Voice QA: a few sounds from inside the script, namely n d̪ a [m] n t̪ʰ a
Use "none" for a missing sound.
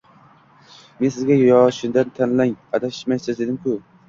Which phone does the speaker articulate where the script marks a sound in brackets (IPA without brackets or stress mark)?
none